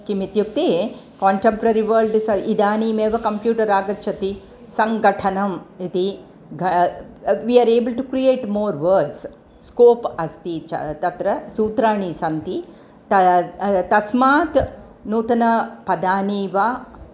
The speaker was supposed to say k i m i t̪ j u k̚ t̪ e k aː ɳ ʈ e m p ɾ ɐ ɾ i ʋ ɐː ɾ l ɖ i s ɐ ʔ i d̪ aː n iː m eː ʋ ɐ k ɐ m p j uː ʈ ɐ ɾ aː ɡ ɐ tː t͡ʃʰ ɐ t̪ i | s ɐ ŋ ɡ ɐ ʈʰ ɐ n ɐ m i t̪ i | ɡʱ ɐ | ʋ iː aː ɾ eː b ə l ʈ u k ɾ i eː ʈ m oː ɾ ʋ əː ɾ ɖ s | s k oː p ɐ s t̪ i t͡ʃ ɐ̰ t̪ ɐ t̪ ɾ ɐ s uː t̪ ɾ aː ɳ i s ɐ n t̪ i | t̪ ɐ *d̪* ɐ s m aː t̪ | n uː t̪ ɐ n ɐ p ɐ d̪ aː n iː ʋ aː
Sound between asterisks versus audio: incorrect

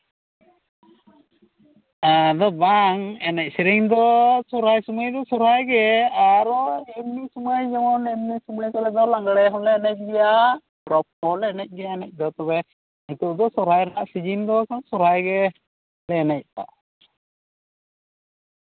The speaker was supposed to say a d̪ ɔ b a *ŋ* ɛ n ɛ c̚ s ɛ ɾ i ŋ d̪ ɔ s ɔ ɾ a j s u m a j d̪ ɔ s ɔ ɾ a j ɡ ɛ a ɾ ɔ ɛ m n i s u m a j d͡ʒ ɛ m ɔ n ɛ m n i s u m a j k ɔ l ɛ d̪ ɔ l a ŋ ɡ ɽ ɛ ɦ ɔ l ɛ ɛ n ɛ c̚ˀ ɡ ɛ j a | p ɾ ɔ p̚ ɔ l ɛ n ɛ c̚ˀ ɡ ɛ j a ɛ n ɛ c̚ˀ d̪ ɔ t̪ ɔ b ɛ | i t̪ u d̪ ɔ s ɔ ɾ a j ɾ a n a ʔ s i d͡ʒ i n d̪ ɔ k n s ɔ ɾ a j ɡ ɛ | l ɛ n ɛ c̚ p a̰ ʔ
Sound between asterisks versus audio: correct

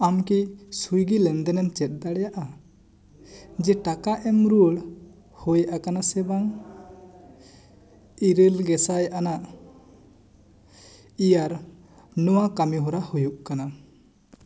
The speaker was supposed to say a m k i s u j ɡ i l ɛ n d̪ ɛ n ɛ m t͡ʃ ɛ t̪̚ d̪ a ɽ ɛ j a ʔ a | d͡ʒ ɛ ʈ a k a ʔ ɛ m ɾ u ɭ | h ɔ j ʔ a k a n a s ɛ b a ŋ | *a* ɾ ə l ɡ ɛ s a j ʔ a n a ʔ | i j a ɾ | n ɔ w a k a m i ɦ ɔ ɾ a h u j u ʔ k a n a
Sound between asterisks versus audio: incorrect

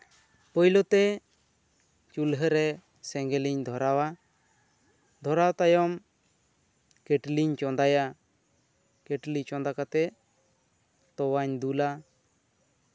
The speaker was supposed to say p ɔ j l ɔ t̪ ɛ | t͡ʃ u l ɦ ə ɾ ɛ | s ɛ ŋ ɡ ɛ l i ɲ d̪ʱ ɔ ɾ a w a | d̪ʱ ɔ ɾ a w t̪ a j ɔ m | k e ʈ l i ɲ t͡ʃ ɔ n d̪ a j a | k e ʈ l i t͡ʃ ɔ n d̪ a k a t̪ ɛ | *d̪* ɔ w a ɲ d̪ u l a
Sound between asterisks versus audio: incorrect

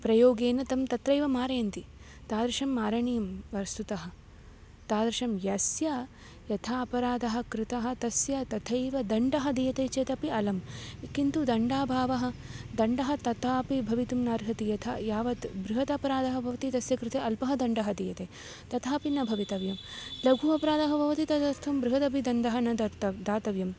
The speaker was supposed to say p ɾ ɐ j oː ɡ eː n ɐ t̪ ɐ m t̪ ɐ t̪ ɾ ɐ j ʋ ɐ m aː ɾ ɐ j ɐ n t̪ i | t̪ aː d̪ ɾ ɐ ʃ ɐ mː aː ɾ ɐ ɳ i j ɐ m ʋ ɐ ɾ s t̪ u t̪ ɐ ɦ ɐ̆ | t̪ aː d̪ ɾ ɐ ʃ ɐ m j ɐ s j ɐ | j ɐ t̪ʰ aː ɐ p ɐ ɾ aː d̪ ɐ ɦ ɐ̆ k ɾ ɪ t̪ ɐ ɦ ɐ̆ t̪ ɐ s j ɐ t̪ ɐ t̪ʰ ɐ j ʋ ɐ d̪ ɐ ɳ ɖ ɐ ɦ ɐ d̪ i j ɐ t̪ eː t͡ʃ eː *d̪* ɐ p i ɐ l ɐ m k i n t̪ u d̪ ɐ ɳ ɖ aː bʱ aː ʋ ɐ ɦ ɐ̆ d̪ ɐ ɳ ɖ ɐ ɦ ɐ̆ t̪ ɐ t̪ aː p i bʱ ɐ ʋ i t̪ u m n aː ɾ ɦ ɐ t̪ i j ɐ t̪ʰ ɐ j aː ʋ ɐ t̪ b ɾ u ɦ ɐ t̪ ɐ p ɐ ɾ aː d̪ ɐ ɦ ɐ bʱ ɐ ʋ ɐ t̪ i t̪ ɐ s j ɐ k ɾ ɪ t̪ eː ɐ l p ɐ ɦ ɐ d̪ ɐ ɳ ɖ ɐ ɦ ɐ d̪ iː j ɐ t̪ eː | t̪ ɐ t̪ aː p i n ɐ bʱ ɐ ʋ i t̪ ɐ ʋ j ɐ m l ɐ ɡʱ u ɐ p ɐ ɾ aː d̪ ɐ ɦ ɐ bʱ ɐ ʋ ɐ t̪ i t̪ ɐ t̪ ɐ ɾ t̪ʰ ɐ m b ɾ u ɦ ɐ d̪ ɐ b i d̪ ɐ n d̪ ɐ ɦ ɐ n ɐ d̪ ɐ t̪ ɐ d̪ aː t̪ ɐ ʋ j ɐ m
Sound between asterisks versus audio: incorrect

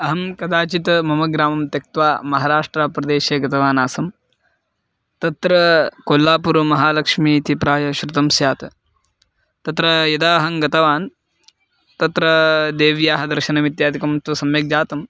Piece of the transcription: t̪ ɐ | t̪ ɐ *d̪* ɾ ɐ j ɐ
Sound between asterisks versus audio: incorrect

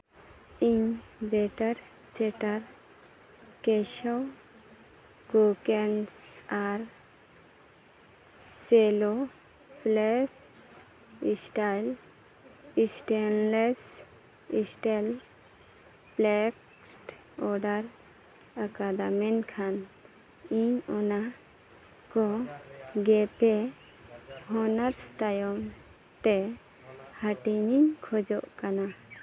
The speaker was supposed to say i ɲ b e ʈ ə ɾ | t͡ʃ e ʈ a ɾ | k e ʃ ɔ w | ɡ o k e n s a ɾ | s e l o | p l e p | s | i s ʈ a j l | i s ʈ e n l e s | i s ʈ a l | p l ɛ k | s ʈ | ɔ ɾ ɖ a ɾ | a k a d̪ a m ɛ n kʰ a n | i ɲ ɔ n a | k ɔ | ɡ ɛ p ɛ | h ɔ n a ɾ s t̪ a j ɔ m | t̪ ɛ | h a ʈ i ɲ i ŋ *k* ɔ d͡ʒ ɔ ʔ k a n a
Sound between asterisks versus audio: incorrect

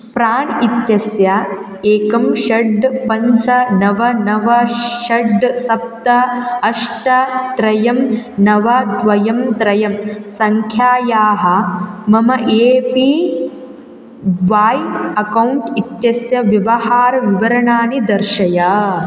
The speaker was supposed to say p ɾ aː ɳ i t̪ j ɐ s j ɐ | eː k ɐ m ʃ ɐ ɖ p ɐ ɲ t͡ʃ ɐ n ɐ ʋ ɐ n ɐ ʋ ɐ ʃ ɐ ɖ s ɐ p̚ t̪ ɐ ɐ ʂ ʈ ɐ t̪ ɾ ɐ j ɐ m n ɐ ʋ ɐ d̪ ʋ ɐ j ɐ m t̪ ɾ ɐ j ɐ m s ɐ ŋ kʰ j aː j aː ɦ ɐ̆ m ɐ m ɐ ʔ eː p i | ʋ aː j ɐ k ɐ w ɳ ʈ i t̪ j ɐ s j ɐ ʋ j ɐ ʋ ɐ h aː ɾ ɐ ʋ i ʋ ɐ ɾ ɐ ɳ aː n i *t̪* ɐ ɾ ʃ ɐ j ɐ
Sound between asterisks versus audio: incorrect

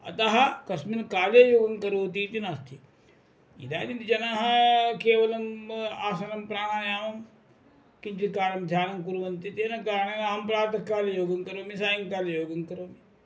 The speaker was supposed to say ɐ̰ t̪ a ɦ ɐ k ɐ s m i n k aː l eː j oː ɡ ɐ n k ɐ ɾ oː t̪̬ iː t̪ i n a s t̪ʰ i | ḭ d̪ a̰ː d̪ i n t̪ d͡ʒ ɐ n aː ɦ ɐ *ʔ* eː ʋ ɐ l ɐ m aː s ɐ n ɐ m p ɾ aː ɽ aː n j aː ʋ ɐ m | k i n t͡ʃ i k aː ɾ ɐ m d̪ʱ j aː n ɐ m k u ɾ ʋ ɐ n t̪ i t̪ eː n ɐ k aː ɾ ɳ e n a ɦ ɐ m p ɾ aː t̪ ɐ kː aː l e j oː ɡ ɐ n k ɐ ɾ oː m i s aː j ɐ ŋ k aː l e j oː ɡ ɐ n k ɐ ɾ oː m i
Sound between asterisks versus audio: incorrect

